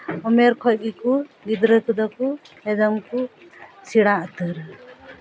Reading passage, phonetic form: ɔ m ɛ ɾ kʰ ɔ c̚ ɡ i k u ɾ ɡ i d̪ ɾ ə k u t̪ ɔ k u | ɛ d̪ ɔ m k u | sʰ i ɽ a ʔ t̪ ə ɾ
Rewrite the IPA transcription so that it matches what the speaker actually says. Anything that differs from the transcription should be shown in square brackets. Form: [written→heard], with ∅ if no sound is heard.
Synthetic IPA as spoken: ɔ m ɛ ɾ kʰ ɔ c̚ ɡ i k u [ɾ→∅] ɡ i d̪ ɾ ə k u [t̪→d̪] ɔ k u | ɛ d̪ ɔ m k u | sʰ i ɽ a ʔ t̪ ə ɾ